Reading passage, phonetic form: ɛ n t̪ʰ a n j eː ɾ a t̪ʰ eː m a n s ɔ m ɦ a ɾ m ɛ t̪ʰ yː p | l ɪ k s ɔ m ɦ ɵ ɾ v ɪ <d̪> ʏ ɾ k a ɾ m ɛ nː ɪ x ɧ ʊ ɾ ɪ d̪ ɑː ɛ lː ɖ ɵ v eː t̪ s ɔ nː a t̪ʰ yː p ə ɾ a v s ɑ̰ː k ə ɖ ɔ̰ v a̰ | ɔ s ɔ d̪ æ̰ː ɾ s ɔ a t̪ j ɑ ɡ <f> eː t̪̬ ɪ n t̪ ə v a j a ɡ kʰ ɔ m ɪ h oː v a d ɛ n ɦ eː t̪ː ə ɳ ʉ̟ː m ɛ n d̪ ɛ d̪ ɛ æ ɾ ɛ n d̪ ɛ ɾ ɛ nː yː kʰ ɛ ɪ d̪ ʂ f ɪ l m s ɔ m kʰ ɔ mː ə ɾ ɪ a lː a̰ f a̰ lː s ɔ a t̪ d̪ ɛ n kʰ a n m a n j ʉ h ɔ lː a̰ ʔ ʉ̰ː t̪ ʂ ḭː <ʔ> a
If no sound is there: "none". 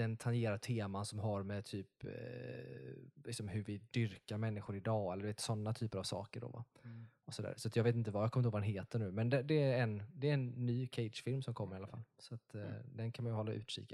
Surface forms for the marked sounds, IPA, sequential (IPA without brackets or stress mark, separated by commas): d̪, v, k